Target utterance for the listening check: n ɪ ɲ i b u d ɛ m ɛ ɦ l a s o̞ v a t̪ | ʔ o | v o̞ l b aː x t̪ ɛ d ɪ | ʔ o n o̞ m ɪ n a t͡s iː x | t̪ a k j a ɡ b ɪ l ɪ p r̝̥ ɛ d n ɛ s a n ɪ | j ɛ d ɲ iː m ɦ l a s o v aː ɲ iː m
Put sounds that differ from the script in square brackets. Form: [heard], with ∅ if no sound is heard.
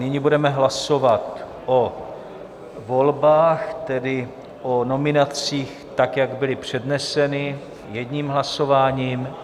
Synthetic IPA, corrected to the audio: n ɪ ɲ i b u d ɛ m ɛ ɦ l a s o̞ v a t̪ | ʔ o | v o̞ l b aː x t̪ ɛ d ɪ | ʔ o n o̞ m ɪ n a t͡s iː x | t̪ a k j a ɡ b ɪ l ɪ p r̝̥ ɛ d n ɛ s [ɛ] n ɪ | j ɛ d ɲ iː m ɦ l a s o v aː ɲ iː m